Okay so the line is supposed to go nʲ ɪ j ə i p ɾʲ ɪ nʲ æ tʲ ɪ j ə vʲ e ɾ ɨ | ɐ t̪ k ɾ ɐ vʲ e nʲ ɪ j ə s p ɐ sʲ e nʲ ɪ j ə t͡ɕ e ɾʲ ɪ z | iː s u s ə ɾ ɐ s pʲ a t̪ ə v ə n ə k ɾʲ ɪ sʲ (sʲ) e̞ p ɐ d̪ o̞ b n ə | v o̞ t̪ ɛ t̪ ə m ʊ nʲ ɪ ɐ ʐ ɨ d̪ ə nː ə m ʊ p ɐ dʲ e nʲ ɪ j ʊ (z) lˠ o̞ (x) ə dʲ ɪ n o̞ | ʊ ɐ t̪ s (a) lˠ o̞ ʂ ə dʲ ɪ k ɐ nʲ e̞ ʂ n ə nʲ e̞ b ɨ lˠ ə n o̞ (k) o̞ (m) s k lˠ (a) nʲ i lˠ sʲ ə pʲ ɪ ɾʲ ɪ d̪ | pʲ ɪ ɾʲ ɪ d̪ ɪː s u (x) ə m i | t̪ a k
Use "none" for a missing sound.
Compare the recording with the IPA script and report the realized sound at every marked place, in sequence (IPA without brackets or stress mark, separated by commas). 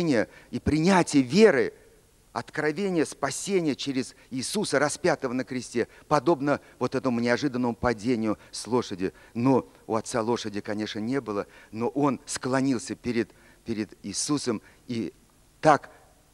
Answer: tʲ, s, ʂ, a, ʔ, n, ɐ, s